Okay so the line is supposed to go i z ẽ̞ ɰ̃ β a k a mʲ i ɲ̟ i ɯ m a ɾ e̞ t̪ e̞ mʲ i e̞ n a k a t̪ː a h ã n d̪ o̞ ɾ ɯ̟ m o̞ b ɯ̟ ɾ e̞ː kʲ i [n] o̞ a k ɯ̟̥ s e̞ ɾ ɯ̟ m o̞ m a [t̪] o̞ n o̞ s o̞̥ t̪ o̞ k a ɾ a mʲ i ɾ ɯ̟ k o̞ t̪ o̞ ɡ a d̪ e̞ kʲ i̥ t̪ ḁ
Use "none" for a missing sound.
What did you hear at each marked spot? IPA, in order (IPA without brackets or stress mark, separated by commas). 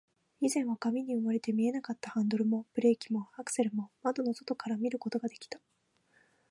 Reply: m, d̪